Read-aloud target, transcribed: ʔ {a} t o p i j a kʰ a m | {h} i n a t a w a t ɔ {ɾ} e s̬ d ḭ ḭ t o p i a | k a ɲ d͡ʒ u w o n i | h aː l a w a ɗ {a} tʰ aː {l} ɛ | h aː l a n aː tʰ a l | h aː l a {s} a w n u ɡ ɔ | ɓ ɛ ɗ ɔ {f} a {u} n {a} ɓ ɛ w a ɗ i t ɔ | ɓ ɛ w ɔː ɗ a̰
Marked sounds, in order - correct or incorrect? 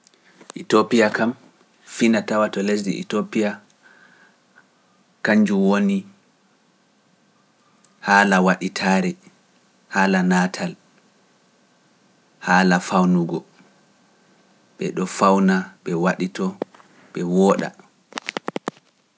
incorrect, incorrect, incorrect, incorrect, incorrect, incorrect, correct, incorrect, correct

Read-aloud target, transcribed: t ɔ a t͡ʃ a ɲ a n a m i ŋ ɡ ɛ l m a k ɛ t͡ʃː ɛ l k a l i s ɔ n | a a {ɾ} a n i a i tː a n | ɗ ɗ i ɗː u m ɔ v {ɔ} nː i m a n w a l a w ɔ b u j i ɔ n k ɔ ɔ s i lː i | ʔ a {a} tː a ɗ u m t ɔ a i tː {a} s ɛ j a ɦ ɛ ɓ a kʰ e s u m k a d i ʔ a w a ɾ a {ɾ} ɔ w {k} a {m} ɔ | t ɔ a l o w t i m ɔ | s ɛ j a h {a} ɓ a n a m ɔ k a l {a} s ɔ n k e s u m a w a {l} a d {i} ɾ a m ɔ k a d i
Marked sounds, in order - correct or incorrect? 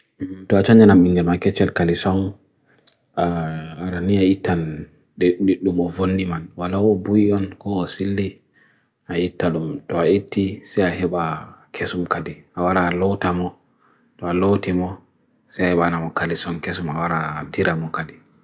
correct, incorrect, incorrect, incorrect, incorrect, incorrect, correct, incorrect, incorrect, incorrect, correct

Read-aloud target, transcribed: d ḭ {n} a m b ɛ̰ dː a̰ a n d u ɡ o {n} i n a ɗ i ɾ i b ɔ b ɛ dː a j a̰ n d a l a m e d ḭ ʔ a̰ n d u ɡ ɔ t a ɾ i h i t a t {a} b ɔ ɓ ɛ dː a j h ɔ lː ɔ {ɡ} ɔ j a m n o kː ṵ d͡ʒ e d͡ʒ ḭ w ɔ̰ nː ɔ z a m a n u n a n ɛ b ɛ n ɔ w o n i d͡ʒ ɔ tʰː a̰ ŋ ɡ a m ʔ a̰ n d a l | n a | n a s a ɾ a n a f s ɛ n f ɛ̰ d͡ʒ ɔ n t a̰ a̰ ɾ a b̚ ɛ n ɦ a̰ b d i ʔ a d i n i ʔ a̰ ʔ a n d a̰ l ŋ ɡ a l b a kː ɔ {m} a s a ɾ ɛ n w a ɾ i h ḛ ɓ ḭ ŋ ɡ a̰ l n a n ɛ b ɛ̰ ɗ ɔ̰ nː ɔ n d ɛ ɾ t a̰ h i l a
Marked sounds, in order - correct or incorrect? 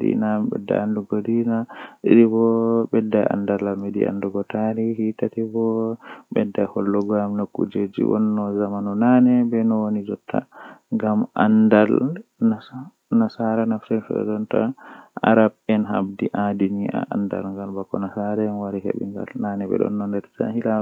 correct, incorrect, incorrect, correct, incorrect

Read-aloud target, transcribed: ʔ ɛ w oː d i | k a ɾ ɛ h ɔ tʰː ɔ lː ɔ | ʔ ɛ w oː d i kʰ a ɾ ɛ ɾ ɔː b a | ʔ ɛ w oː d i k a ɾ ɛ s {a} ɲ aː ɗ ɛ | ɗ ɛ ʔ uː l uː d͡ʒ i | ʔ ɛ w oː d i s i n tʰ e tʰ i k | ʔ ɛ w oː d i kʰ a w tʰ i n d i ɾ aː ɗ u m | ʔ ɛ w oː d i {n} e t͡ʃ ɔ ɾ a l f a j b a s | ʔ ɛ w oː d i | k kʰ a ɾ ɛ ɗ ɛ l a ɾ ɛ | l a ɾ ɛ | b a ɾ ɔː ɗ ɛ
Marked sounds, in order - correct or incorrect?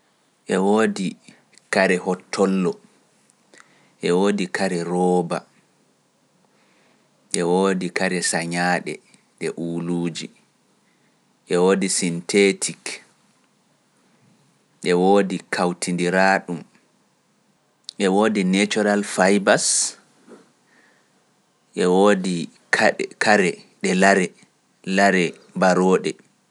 correct, correct

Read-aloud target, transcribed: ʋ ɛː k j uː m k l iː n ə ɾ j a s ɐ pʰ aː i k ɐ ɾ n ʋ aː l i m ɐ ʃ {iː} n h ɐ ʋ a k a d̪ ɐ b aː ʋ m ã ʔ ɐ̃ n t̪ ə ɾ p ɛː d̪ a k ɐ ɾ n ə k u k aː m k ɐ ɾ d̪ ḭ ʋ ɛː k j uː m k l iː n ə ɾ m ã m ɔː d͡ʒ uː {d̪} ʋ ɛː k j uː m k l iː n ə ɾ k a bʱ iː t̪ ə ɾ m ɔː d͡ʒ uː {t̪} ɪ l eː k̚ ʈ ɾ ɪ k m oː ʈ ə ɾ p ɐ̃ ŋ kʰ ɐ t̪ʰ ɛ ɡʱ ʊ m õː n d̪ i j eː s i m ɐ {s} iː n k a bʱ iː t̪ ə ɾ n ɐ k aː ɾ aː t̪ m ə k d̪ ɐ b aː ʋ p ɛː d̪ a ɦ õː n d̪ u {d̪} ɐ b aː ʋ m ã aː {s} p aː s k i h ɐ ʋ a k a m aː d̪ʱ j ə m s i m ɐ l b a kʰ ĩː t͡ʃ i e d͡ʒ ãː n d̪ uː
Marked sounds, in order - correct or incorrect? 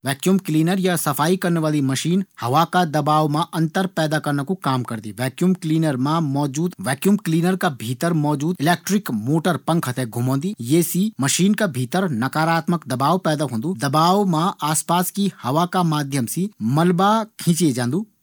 correct, correct, incorrect, incorrect, correct, correct

